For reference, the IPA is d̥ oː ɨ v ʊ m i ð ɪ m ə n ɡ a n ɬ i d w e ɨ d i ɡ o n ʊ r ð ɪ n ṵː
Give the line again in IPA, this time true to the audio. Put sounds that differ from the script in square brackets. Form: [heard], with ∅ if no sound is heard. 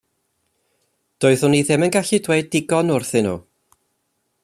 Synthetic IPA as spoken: d̥ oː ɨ [ð] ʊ [n] i ð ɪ m ə n ɡ a [∅] ɬ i d w e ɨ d [ɪ] ɡ [ɔ] n ʊ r [θ] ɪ n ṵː